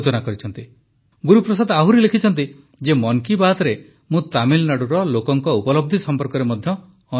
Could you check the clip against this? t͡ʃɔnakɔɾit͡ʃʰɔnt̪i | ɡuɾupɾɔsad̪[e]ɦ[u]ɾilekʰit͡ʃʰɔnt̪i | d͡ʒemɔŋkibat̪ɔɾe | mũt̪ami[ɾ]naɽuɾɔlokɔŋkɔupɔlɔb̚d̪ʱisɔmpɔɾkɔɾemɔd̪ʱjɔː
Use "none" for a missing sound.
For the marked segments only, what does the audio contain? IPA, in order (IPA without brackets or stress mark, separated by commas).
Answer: a, u, l